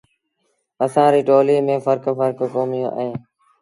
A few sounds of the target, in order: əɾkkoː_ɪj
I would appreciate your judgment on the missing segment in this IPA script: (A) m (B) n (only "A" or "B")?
A